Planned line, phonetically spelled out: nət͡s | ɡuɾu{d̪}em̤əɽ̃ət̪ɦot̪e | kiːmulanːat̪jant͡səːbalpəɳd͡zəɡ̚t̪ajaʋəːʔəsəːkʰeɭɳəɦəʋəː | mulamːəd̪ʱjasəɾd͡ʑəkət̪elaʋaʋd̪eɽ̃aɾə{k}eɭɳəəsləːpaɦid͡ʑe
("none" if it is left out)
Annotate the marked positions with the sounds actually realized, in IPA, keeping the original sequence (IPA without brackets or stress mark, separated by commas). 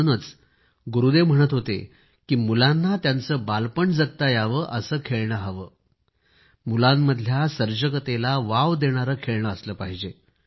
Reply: d̪, kʰ